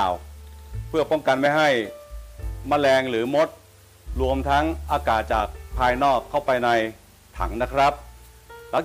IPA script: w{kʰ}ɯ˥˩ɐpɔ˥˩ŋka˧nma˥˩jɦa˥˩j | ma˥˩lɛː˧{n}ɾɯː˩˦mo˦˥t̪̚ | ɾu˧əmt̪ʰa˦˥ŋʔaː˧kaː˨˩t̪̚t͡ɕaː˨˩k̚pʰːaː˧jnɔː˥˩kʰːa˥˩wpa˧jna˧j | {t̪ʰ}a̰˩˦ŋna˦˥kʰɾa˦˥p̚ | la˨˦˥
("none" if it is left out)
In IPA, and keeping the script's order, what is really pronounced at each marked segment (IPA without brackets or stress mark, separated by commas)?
pʰ, ŋ, t̪ʰ